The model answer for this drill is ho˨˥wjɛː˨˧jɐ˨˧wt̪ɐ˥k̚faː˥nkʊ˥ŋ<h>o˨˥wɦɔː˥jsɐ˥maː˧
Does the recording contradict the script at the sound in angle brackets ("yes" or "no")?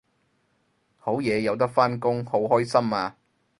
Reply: no